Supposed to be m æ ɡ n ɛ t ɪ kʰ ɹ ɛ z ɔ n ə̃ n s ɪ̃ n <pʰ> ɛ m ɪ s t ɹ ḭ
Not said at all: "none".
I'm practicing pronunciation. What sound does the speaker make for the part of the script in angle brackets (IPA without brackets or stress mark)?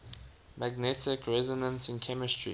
kʰ